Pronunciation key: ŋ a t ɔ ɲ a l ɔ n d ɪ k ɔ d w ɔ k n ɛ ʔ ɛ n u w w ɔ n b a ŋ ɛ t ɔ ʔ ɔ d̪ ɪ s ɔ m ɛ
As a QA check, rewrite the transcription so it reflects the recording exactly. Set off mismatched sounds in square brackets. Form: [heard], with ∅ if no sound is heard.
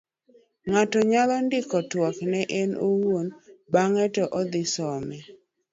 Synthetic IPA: ŋ a t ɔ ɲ a l ɔ n d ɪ k ɔ [t] w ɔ k n ɛ ʔ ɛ n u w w [o] n b a ŋ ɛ t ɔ ʔ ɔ d̪ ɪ s ɔ m ɛ